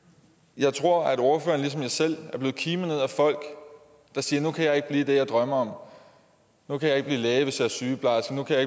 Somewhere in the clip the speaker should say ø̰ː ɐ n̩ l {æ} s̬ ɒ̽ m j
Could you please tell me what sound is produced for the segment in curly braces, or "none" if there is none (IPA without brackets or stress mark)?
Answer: i